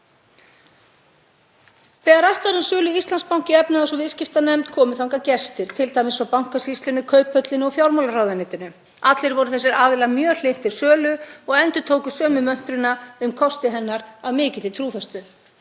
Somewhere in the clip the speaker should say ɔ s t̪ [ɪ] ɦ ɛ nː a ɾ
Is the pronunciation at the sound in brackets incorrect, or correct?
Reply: correct